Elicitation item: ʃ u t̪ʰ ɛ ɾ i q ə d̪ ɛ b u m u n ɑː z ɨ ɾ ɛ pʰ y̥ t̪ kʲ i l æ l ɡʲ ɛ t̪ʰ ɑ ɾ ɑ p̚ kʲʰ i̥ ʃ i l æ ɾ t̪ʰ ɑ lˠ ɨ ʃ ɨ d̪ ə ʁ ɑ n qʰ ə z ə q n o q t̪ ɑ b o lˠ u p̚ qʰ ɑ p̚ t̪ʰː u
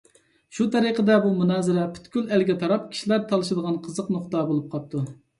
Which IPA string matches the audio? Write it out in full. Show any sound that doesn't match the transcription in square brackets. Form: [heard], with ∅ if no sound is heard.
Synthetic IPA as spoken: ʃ u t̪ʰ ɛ ɾ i q ə d̪ ɛ b u m u n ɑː z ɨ ɾ ɛ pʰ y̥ t̪ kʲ [y] l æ l ɡʲ ɛ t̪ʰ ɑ ɾ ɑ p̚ kʲʰ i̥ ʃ i l æ ɾ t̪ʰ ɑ lˠ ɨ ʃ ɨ d̪ ə ʁ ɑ n qʰ ə z ə q n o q t̪ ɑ b o lˠ u p̚ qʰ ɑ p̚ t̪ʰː u